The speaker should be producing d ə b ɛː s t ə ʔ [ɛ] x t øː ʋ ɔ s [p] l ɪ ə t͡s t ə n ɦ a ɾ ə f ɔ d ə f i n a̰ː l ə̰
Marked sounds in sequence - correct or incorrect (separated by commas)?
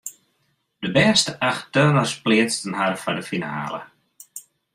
incorrect, correct